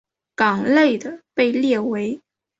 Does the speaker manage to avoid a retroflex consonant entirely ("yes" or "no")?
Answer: yes